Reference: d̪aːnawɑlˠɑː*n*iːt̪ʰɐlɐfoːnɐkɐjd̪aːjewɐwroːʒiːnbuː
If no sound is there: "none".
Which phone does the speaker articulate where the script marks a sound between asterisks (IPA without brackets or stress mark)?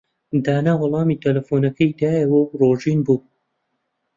m